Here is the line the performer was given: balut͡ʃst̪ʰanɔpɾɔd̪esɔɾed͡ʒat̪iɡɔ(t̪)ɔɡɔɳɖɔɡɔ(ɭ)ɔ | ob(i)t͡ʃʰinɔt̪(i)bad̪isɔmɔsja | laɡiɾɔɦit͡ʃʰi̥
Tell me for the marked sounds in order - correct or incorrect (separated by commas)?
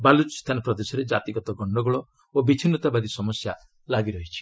correct, correct, correct, incorrect